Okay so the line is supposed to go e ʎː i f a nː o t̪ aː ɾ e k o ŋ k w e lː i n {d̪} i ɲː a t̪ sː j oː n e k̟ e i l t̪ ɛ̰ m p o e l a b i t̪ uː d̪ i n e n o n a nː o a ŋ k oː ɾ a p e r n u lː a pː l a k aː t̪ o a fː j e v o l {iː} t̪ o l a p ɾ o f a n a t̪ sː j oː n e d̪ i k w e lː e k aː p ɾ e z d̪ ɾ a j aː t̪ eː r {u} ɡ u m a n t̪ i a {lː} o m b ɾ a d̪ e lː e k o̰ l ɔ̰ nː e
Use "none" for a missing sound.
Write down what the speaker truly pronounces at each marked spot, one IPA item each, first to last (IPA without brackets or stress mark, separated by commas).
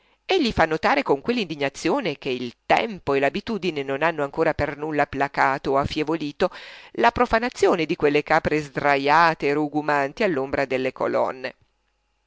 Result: d̪, iː, u, lː